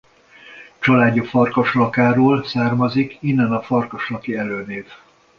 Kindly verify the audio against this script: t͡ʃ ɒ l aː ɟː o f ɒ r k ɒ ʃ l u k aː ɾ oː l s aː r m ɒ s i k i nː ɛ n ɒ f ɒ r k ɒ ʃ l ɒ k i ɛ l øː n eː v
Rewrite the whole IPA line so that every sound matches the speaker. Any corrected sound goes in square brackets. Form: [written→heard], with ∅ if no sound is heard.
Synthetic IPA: t͡ʃ ɒ l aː ɟː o f ɒ r k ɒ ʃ l [u→ɒ] k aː ɾ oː l s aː r m ɒ [s→z] i k i nː ɛ n ɒ f ɒ r k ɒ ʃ l ɒ k i ɛ l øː n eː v